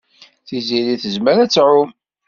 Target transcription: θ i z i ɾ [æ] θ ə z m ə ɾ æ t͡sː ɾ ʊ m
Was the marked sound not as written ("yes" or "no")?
yes